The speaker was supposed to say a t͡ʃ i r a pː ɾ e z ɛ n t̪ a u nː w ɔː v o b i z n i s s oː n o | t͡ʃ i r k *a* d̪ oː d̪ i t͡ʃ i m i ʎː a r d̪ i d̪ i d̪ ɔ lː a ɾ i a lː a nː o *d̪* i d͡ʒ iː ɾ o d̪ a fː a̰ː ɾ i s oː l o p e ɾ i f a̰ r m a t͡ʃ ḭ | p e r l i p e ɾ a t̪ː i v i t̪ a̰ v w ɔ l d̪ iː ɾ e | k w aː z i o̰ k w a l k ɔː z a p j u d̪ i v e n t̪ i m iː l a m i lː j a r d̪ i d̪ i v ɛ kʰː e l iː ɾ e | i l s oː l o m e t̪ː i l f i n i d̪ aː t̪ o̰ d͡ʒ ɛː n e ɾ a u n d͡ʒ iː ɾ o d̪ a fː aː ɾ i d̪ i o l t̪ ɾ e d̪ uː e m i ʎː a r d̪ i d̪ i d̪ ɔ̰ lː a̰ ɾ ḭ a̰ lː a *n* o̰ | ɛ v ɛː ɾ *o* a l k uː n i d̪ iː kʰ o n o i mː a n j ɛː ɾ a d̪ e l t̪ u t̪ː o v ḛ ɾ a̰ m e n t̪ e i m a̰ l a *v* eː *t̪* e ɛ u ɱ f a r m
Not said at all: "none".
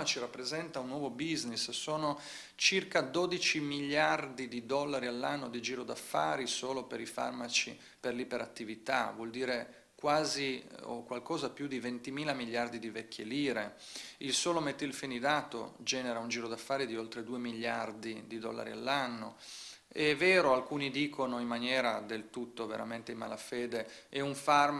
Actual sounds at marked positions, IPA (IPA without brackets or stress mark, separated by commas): a, d̪, nː, o, f, d̪